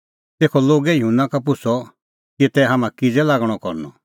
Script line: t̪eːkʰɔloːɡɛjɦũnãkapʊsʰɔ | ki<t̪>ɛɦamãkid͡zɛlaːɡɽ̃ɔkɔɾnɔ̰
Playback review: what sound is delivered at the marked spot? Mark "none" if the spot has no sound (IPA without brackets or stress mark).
t̪